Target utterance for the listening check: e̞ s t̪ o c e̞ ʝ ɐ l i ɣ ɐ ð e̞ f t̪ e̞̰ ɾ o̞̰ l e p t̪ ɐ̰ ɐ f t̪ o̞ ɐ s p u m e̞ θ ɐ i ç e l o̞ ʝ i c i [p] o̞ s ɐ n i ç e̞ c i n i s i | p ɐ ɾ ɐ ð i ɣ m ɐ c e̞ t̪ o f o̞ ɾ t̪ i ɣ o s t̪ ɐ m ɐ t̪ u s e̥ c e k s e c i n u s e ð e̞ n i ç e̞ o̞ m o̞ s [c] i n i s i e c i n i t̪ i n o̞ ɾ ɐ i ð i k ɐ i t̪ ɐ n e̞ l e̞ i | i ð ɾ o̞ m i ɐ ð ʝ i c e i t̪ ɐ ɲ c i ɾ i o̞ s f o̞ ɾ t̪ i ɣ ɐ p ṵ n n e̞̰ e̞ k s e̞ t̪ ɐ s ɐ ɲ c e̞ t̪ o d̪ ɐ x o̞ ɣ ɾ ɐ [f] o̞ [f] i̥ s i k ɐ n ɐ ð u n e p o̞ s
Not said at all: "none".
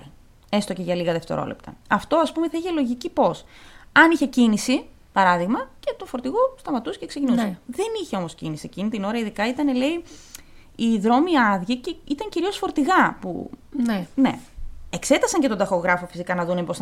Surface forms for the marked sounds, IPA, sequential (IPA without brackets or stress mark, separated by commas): p, c, f, f